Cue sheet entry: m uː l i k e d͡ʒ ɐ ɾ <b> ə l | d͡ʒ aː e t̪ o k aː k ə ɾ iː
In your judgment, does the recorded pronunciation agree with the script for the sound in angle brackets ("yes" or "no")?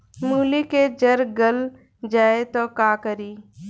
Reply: no